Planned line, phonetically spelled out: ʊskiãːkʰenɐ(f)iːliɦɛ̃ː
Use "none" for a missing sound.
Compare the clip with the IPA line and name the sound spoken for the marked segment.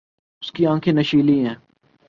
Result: ʃ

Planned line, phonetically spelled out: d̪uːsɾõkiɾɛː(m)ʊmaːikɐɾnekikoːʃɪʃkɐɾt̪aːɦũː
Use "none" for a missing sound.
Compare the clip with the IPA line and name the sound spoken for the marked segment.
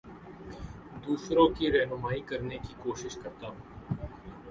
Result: n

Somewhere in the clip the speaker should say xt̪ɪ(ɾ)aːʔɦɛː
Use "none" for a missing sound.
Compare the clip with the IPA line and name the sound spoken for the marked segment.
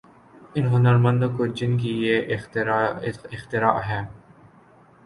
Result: ɾ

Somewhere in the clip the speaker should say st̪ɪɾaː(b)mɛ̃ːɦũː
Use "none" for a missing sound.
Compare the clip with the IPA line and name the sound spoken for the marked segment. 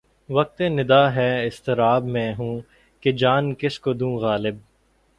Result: b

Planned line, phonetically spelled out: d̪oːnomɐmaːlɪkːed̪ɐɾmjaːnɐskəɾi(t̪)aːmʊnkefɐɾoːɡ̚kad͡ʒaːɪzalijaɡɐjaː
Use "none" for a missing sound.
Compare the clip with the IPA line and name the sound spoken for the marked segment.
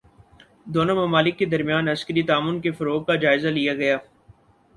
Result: t̪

